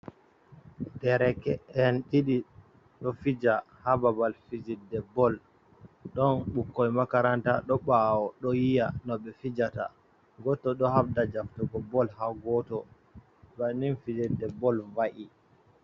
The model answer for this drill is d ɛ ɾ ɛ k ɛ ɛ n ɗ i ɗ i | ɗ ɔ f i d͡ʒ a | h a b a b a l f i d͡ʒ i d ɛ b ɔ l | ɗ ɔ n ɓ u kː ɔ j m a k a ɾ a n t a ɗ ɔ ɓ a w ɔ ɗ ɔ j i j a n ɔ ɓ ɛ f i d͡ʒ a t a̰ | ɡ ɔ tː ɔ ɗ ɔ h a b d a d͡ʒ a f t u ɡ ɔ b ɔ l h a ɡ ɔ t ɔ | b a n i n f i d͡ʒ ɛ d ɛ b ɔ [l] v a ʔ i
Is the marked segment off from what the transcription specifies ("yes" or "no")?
no